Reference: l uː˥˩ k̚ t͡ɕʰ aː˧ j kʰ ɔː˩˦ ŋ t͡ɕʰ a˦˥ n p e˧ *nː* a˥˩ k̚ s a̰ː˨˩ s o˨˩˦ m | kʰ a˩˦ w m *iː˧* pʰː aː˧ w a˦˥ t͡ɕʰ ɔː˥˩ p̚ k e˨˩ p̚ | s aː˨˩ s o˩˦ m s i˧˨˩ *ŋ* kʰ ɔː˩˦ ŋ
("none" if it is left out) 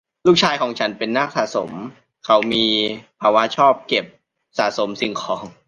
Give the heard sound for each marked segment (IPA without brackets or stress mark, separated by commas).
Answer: nː, iː˧, ŋ